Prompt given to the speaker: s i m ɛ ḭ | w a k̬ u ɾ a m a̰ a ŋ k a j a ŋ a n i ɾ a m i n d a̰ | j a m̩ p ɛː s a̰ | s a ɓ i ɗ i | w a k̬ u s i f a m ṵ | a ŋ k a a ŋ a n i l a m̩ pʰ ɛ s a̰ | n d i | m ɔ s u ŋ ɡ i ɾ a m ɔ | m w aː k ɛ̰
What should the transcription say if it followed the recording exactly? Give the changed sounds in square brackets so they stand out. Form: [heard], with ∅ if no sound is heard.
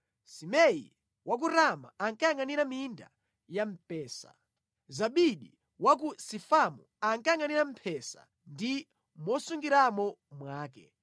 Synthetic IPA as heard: s i m ɛ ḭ | w a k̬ u ɾ a m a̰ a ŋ k a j a ŋ a n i ɾ a m i n d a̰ | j a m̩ p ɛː s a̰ | [z] a ɓ i ɗ i | w a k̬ u s i f a m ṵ | a ŋ k a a ŋ a n i [ɾ] a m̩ pʰ ɛ s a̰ | n d i | m ɔ s u ŋ ɡ i ɾ a m ɔ | m w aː k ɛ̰

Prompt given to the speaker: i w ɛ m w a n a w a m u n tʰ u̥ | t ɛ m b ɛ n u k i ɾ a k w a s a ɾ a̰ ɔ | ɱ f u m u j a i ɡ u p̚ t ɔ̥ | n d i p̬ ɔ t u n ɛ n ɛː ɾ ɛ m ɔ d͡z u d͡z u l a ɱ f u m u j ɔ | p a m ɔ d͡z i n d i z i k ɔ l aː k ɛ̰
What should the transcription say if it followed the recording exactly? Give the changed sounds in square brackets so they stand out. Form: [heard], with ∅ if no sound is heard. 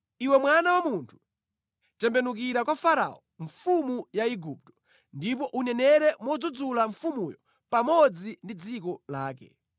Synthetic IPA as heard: i w ɛ m w a n a w a m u n tʰ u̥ | t ɛ m b ɛ n u k i ɾ a k w a [f] a ɾ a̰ ɔ | ɱ f u m u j a i ɡ u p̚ t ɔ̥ | n d i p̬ ɔ [ʔ] u n ɛ n [ɛ] ɾ ɛ m ɔ d͡z u d͡z u l a ɱ f u m u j ɔ | p a m ɔ d͡z i n d i [d͡z] i k ɔ l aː k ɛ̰

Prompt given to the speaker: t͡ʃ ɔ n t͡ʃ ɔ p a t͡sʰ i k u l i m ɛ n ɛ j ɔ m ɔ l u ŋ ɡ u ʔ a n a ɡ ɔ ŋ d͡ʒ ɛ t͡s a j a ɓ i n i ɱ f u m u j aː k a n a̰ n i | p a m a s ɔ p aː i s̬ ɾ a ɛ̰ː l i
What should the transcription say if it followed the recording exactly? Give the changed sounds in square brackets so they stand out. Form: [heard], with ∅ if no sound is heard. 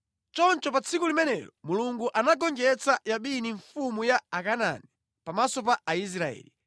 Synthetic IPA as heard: t͡ʃ ɔ n t͡ʃ ɔ p a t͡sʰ i k u l i m ɛ n ɛ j ɔ m [u] l u ŋ ɡ u ʔ a n a ɡ ɔ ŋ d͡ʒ ɛ t͡s a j a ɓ i n i ɱ f u m u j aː k a n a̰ n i | p a m a s ɔ p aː i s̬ ɾ a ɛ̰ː l i

